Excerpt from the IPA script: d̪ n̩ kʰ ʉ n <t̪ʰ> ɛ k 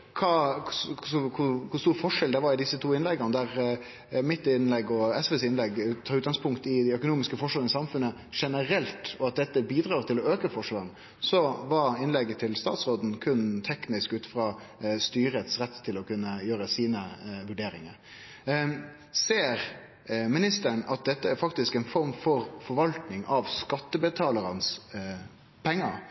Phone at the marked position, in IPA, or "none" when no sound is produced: t̪ʰ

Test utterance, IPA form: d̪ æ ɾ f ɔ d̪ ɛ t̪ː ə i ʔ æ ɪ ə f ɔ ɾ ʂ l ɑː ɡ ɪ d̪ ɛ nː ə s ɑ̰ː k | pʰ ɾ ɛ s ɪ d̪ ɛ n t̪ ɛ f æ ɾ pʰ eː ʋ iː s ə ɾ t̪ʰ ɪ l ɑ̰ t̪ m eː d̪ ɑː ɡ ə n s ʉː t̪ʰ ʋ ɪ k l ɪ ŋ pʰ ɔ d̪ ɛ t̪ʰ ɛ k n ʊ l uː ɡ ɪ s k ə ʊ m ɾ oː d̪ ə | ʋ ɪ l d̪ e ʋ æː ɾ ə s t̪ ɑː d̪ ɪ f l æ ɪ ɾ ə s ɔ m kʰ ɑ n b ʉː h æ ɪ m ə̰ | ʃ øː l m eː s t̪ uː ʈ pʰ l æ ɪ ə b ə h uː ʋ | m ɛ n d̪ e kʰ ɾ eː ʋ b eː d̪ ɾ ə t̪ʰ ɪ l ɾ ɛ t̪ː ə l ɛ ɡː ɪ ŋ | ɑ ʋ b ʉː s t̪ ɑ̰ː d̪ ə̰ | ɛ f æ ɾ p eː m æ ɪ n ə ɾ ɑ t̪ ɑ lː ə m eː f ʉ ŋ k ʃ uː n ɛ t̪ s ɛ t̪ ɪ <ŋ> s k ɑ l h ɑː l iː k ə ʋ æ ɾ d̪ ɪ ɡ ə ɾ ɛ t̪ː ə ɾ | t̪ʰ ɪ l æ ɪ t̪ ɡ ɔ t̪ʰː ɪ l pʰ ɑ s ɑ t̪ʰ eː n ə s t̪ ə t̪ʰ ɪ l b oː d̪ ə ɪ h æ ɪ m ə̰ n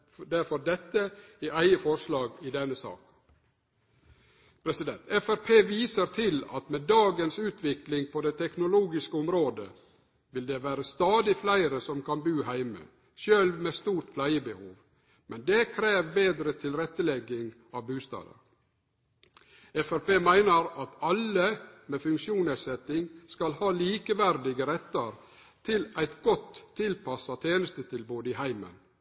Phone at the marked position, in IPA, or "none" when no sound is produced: ŋ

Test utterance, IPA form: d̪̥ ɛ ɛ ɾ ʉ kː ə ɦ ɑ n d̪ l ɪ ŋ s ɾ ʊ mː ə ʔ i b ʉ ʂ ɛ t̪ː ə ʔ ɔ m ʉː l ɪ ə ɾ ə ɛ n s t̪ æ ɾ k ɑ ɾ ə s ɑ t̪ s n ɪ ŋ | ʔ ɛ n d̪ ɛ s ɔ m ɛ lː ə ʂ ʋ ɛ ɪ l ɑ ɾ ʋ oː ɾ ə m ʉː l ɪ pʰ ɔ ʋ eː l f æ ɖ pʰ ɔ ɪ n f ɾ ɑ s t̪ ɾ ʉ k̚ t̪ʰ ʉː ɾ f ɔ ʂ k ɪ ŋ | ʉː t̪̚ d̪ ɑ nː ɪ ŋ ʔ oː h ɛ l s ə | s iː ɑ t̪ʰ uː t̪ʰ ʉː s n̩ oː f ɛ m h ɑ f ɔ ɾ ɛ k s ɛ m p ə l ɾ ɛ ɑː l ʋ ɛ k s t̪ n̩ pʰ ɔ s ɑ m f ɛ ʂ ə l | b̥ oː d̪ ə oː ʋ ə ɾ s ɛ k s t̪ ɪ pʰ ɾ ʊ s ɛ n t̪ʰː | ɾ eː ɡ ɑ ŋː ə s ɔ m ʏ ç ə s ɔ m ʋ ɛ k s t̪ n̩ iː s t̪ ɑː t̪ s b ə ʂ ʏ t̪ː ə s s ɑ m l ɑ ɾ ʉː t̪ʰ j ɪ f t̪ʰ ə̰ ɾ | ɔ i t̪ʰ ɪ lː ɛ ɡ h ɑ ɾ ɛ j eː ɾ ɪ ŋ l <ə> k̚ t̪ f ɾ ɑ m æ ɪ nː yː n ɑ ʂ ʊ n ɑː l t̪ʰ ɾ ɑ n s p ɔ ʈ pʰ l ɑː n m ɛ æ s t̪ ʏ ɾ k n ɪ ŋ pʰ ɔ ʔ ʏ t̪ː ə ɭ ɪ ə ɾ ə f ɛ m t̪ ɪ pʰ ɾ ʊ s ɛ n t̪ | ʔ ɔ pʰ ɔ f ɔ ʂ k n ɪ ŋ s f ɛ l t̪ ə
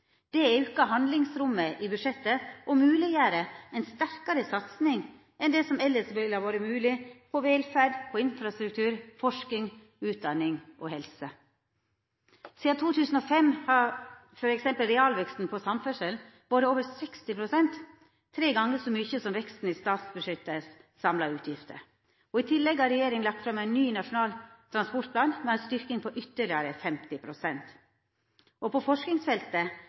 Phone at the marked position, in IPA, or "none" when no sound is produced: ɑ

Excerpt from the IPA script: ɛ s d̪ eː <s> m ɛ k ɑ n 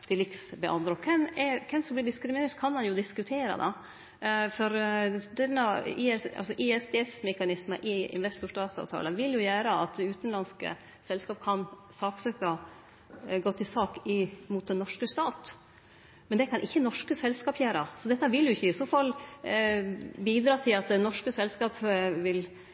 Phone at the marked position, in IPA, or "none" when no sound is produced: s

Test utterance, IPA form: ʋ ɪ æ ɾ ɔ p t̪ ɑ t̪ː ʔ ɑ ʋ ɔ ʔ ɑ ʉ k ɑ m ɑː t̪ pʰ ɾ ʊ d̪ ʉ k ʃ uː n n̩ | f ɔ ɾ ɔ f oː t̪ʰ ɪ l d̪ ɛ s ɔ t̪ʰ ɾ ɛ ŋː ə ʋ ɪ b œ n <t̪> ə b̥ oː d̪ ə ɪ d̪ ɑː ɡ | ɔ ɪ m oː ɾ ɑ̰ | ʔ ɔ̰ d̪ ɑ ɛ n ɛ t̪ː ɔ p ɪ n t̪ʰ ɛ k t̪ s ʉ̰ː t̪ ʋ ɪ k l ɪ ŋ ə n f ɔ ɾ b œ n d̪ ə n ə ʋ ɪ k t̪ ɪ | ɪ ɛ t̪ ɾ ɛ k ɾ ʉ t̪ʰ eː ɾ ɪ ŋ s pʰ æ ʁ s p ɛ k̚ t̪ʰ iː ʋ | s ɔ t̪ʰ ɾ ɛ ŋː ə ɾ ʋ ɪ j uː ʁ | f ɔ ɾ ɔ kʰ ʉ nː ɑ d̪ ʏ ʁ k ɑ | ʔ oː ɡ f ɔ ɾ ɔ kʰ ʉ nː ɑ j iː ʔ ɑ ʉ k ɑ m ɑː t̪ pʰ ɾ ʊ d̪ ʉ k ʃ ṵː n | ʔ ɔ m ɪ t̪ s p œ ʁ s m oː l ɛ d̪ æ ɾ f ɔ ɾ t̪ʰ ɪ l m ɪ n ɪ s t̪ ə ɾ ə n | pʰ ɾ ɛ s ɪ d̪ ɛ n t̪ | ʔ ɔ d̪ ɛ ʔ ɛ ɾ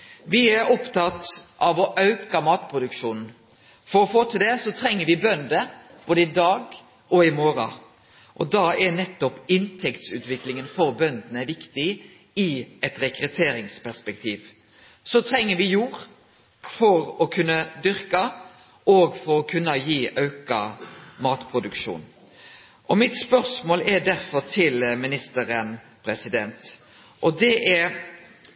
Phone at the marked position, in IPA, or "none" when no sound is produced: d̪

